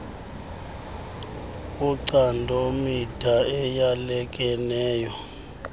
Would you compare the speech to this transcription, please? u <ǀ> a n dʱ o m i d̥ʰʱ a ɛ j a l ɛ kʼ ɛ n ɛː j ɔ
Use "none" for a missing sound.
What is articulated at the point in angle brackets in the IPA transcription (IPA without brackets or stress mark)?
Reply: ǀ